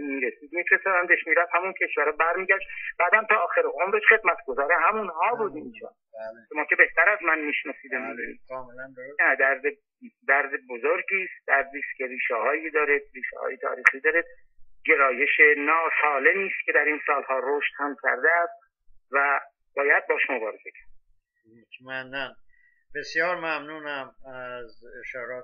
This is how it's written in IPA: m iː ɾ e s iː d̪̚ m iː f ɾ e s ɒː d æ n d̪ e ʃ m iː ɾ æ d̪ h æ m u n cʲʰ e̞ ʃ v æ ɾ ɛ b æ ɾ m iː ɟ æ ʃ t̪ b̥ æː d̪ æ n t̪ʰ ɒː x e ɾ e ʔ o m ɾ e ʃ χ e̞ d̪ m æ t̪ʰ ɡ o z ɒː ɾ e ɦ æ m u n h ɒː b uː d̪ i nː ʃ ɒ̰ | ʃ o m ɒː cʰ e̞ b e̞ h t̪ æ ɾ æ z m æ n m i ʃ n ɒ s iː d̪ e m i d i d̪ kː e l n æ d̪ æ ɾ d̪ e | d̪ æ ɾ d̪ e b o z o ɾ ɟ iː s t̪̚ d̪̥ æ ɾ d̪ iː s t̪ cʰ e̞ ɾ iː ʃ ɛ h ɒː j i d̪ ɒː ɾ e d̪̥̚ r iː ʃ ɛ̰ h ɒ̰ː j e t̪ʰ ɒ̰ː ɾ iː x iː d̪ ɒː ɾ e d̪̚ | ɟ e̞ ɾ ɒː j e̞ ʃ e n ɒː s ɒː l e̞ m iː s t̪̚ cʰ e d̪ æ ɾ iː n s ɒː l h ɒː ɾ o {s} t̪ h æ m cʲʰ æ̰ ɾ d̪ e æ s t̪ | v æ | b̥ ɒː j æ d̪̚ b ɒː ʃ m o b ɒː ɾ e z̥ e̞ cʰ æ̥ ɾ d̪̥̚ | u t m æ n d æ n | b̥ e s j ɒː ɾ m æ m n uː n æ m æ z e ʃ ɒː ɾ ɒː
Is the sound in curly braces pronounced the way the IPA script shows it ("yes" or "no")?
no